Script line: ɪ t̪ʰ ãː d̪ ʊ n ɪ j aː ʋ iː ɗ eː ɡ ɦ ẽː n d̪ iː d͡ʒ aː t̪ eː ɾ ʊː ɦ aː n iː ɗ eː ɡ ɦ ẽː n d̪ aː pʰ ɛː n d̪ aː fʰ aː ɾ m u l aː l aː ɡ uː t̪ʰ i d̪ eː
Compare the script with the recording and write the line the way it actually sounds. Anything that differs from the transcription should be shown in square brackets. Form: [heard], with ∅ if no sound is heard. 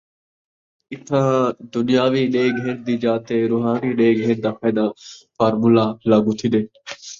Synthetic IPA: ɪ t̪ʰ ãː d̪ ʊ n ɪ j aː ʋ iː ɗ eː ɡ ɦ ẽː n d̪ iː d͡ʒ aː t̪ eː ɾ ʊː ɦ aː n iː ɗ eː ɡ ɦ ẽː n d̪ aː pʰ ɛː [∅] d̪ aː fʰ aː ɾ m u l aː l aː ɡ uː t̪ʰ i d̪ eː